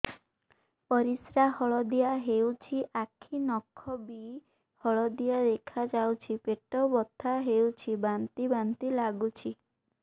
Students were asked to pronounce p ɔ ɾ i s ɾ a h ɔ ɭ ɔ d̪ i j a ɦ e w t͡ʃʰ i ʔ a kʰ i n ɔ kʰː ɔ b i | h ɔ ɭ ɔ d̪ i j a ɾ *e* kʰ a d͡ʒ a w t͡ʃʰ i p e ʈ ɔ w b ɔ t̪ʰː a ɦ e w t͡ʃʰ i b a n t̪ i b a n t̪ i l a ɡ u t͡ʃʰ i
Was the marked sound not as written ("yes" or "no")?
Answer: no